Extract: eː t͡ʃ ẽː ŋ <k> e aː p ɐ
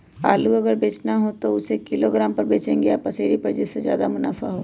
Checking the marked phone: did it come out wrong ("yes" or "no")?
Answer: yes